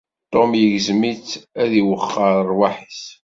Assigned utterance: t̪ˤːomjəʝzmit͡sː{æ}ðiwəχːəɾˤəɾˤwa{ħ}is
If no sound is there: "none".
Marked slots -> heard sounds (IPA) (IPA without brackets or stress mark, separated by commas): æ, ħ